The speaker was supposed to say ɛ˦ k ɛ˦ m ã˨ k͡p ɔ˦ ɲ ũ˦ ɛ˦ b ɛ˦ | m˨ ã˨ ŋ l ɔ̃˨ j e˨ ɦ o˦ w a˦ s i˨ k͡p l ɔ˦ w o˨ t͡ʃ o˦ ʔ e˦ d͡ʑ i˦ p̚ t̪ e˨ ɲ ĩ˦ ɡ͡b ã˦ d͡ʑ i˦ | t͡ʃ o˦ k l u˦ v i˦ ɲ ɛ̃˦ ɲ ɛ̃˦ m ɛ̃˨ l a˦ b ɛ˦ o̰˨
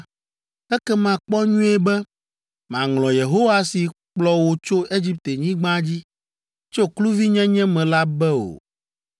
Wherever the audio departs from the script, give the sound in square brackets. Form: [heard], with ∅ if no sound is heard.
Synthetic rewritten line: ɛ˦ k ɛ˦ m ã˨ k͡p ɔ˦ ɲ ũ˦ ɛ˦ b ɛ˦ | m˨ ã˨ ŋ l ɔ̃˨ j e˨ ɦ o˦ w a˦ s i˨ k͡p l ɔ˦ w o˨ t͡ʃ o˦ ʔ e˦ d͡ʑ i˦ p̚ t̪ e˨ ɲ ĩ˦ ɡ͡b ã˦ d͡ʑ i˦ | t͡ʃ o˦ k l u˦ v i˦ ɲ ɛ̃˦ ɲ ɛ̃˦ m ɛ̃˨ l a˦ b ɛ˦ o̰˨